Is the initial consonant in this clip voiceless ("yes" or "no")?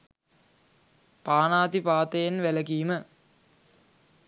yes